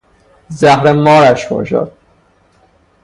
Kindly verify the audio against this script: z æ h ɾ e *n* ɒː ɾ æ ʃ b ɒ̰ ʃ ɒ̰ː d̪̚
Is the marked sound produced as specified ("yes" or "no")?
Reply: no